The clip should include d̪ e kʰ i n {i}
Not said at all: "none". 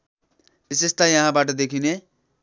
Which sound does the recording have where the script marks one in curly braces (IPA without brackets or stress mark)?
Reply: e